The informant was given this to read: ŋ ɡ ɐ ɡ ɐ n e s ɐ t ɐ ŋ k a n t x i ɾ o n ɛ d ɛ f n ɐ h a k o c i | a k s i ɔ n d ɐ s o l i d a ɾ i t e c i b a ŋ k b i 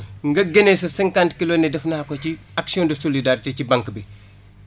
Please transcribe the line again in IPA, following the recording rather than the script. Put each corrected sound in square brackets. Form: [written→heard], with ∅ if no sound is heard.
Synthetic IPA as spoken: ŋ ɡ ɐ ɡ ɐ n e s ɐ [t→s] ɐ ŋ k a n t [x→k] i [ɾ→l] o n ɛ d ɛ f n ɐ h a k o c i | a k s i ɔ n d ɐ s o l i d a ɾ i t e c i b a ŋ k b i